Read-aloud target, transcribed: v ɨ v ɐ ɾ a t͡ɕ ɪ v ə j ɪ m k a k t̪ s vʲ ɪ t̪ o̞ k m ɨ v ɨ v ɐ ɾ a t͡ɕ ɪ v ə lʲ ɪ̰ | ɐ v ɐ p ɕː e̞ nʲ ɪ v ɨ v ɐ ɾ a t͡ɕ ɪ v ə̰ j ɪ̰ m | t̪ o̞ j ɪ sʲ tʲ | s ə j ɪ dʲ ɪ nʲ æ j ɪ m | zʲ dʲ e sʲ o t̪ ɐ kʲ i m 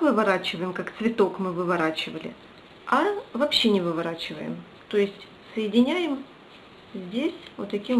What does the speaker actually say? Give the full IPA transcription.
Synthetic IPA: v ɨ v ɐ ɾ a t͡ɕ ɪ v ə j ɪ m k a k t̪ s vʲ ɪ t̪ o̞ k m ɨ v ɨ v ɐ ɾ a t͡ɕ ɪ v ə lʲ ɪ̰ | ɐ v ɐ p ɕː e̞ nʲ ɪ v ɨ v ɐ ɾ a t͡ɕ ɪ v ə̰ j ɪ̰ m | t̪ o̞ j ɪ sʲ tʲ | s ə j ɪ dʲ ɪ nʲ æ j ɪ m | zʲ dʲ e sʲ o t̪ ɐ kʲ i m

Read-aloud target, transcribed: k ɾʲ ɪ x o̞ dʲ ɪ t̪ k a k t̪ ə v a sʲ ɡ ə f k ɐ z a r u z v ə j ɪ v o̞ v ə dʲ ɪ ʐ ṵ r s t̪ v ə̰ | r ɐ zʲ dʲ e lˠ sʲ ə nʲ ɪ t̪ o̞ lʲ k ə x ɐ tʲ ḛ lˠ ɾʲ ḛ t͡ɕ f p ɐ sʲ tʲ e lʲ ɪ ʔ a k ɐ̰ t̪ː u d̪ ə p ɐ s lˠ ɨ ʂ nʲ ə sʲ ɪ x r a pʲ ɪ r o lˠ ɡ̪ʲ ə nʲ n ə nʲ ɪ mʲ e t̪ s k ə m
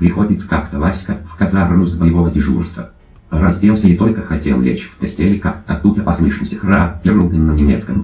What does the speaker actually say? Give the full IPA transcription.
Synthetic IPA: p ɾʲ ɪ x o̞ dʲ ɪ t̪ k a k t̪ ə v a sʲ k ə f k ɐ z a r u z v ə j ɪ v o̞ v ə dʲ ɪ ʐ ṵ r s t̪ v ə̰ | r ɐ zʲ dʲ e lˠ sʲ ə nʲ ɪ t̪ o̞ lʲ k ə x ɐ tʲ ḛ lˠ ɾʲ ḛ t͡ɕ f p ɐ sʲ tʲ e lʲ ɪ k a k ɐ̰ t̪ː u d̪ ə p ɐ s lˠ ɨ ʂ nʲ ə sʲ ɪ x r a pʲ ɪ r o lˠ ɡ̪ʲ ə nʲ n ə nʲ ɪ mʲ e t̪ s k ə m

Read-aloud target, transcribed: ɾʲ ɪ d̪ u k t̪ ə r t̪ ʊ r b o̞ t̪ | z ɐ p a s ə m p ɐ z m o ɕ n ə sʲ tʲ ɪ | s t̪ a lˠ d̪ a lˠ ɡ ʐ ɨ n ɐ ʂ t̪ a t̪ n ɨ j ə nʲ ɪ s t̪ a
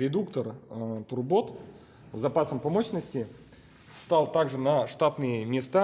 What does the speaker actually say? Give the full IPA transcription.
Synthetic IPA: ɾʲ ɪ d̪ u k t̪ ə r t̪ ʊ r b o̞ t̪ | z ɐ p a s ə m p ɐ m o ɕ n ə sʲ tʲ ɪ | s t̪ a lˠ t̪ a ɡ ʐ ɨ n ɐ ʂ t̪ a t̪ n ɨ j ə mʲ ɪ s t̪ a

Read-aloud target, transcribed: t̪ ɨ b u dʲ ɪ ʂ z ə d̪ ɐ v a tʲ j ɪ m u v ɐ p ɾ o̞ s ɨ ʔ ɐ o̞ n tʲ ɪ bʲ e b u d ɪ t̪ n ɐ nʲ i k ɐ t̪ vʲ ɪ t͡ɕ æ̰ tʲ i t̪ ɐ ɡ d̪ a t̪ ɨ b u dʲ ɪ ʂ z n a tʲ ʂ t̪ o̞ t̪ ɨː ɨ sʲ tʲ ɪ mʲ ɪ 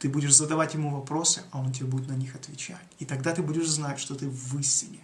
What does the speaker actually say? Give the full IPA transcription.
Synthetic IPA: t̪ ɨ b u dʲ ɪ ʂ z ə d̪ ɐ v a tʲ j ɪ m u v ɐ p ɾ o̞ s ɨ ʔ ɐ o̞ n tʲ ɪ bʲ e b u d ɪ t̪ n ɐ nʲ i x ɐ t̪ vʲ ɪ t͡ɕ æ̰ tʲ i t̪ ɐ ɡ d̪ a t̪ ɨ b u dʲ ɪ ʂ z n a tʲ ʂ t̪ o̞ t̪ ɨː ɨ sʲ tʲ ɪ nʲ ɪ

